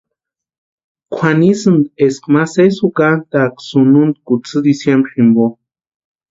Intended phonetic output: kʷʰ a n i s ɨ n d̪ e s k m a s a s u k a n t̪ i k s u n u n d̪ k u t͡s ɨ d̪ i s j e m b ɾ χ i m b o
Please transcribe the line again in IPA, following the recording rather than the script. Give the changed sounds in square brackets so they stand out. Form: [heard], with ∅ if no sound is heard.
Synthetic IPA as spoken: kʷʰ a n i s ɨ n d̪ e s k m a s [e] s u k a n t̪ [a] k s u n u n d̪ k u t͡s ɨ d̪ i s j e m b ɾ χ i m b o